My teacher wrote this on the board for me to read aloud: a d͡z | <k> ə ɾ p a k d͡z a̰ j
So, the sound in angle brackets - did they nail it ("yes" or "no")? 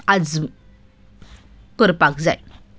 yes